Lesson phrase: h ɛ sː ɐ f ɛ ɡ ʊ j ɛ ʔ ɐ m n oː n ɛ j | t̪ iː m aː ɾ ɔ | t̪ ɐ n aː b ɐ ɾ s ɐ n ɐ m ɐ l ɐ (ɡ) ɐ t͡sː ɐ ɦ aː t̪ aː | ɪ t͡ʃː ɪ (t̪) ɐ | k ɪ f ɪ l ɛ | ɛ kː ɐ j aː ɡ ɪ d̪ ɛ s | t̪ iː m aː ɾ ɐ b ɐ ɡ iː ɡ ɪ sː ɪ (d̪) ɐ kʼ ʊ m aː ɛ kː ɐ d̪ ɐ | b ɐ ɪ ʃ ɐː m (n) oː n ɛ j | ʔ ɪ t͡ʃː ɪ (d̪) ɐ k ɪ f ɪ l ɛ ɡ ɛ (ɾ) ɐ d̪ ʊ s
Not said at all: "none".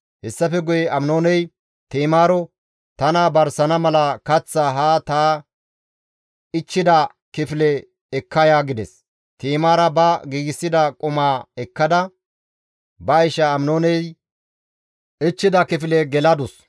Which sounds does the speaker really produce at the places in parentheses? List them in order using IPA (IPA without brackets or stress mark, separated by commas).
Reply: k, d̪, d̪, n, d̪, l